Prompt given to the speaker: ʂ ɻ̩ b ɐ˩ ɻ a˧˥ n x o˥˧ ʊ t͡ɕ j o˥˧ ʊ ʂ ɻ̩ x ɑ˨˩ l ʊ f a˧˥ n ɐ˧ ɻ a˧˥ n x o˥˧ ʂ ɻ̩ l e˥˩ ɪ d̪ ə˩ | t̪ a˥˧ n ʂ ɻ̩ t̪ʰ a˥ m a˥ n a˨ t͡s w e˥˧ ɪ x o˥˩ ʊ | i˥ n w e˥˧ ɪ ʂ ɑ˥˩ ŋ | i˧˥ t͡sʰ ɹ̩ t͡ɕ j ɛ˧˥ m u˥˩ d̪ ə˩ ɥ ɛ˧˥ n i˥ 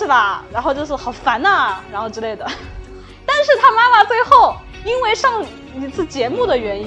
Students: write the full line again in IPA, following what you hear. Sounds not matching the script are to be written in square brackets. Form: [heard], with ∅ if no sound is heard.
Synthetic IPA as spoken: ʂ ɻ̩ b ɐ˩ ɻ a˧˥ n x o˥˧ ʊ t͡ɕ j o˥˧ ʊ ʂ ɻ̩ x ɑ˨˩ [∅] ʊ f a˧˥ n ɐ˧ ɻ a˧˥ n x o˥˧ [ʈ͡ʂ] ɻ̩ l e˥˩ ɪ d̪ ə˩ | t̪ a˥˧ n ʂ ɻ̩ t̪ʰ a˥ m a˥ [m] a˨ t͡s w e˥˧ ɪ x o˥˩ ʊ | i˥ n w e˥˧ ɪ ʂ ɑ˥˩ ŋ | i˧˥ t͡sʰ ɹ̩ t͡ɕ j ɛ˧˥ m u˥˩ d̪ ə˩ ɥ ɛ˧˥ n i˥